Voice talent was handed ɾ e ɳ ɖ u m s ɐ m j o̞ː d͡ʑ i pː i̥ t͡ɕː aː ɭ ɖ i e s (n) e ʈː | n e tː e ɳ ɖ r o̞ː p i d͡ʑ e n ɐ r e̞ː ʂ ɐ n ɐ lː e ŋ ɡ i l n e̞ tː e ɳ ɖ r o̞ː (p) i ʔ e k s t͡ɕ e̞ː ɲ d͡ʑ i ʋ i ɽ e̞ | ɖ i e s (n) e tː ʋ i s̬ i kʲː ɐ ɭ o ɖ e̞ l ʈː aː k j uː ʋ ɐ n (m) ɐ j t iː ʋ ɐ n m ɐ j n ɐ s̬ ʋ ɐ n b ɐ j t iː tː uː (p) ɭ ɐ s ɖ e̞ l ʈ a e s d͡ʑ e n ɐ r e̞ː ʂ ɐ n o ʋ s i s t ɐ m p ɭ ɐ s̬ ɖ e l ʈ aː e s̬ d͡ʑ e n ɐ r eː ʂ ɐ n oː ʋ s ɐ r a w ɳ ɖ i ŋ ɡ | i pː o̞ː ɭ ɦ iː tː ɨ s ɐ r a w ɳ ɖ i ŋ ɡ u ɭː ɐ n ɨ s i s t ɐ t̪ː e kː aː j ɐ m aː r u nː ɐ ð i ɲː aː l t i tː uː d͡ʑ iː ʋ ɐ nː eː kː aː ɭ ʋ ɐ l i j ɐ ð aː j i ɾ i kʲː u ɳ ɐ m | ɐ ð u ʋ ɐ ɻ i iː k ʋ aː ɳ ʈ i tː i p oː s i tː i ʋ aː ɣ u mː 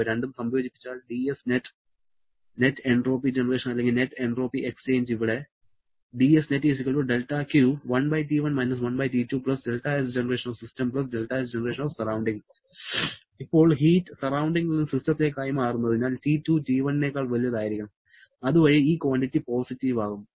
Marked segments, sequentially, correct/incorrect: correct, correct, correct, incorrect: b, correct

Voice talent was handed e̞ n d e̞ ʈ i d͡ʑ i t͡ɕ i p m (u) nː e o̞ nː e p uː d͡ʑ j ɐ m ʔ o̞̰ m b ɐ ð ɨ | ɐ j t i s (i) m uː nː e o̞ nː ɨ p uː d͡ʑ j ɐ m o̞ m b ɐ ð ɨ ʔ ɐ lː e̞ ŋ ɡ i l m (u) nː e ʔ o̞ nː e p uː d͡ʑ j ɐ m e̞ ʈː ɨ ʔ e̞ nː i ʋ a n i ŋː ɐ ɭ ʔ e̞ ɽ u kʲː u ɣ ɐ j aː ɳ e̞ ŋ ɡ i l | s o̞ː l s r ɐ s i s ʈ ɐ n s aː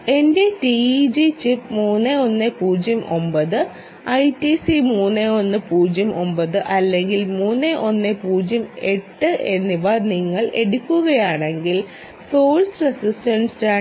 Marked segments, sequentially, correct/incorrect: incorrect: uː, correct, incorrect: uː

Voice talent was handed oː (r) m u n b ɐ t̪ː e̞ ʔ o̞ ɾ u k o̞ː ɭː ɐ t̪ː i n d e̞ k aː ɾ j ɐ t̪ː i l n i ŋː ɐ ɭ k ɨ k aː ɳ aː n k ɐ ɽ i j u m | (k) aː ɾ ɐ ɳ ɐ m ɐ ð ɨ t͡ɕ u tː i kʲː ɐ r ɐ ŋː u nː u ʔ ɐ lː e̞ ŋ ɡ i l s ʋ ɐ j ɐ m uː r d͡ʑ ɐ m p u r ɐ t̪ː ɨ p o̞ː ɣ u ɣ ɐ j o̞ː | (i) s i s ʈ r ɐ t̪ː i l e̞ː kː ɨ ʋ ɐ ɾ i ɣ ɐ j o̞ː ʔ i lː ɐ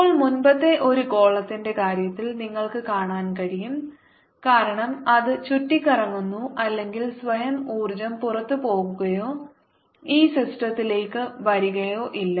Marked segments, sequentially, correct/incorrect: incorrect: ɭ, correct, incorrect: iː

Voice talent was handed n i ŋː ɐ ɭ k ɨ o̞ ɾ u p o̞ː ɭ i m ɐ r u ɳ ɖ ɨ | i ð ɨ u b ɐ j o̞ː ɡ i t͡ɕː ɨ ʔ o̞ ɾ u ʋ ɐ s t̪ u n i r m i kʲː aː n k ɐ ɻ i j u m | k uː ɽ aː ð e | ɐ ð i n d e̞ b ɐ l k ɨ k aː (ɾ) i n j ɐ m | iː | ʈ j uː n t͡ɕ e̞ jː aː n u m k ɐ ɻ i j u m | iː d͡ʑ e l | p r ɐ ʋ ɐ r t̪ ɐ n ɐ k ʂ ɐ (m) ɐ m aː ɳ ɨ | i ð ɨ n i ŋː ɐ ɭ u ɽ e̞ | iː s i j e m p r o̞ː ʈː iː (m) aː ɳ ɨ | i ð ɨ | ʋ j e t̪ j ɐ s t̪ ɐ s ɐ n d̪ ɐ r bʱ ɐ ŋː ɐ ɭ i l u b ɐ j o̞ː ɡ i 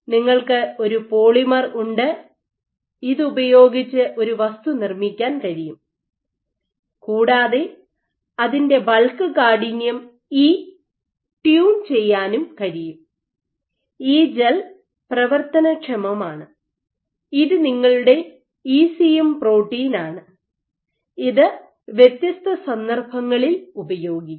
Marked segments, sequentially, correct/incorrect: incorrect: ɽ, correct, incorrect: n

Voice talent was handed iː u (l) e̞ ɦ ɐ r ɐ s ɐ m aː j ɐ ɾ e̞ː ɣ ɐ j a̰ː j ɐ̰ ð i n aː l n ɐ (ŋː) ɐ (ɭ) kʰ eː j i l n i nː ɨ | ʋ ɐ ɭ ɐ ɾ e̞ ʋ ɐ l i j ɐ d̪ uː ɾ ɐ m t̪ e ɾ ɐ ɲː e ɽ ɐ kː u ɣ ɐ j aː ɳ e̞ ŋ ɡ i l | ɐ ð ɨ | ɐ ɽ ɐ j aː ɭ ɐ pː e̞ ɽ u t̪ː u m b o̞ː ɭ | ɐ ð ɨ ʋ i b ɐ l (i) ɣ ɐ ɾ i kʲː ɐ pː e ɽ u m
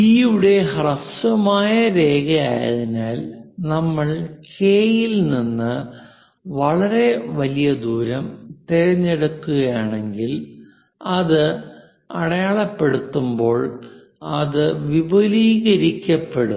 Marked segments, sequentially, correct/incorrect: incorrect: ɽ, incorrect: mː, correct, incorrect: iː

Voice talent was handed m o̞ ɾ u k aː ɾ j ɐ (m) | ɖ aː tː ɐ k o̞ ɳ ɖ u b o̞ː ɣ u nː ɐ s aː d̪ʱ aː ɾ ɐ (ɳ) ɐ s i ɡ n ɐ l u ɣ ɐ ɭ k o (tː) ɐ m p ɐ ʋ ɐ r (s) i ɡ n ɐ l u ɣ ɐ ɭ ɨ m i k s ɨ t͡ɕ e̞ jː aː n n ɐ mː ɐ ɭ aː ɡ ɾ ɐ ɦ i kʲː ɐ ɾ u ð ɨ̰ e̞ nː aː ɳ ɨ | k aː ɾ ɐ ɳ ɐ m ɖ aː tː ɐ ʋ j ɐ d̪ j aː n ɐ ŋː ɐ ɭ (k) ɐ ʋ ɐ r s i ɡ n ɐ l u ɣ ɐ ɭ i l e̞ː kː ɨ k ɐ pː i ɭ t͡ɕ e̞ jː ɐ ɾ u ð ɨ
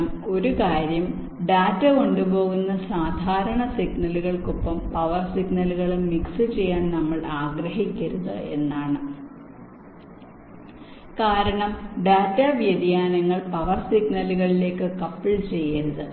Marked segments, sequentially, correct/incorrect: correct, correct, incorrect: pː, correct, incorrect: p

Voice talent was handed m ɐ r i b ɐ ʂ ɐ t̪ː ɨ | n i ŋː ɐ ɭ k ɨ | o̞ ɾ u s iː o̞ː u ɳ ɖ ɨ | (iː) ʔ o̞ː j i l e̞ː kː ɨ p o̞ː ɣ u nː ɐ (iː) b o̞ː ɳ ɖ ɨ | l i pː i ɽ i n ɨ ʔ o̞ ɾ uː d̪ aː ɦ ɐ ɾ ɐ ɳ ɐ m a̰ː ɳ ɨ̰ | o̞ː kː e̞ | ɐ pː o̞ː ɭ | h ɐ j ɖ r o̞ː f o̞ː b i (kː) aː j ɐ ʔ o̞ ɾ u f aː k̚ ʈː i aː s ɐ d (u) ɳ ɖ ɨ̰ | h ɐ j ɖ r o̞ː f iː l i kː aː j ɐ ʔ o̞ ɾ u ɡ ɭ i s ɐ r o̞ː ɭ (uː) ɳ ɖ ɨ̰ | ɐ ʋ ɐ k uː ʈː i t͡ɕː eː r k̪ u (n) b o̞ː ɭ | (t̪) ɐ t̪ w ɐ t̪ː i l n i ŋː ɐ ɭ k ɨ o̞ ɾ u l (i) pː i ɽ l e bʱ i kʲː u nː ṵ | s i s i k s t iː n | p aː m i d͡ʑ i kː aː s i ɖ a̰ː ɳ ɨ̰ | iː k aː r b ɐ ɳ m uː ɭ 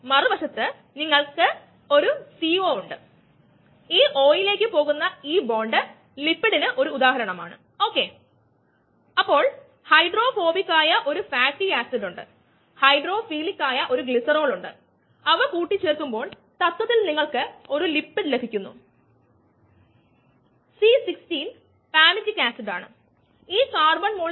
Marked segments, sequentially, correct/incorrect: correct, correct, correct, correct, incorrect: u, incorrect: m, correct, correct

